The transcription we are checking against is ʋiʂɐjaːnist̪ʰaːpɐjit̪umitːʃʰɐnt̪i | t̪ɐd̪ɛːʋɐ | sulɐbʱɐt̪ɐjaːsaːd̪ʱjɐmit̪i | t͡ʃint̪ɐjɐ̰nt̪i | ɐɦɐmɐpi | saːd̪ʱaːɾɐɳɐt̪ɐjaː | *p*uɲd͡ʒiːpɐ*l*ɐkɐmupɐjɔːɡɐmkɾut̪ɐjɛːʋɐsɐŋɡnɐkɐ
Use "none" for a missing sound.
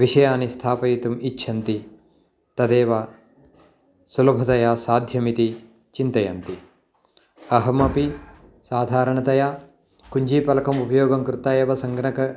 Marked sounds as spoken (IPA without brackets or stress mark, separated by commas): k, l